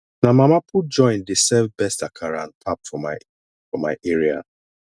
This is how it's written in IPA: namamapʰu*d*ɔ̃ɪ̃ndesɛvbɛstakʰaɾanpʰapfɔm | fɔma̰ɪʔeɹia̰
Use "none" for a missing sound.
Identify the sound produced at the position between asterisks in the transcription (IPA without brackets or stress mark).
d͡ʒ